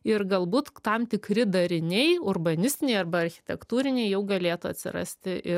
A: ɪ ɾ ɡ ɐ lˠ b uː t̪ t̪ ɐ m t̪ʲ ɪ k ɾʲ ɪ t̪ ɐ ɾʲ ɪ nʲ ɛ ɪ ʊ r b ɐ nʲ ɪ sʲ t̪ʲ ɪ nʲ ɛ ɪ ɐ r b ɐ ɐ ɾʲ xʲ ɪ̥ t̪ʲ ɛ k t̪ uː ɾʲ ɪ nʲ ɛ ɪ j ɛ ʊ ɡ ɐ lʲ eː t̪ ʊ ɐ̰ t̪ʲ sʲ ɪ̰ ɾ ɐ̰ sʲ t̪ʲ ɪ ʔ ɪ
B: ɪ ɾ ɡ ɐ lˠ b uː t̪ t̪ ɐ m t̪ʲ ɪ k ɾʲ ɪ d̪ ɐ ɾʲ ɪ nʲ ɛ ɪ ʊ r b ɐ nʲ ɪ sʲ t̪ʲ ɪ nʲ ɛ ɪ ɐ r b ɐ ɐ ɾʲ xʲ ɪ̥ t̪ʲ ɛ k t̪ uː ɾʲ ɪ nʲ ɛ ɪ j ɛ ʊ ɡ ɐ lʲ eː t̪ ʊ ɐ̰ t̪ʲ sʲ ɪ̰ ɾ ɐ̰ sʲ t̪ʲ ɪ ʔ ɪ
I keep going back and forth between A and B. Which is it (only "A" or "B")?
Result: B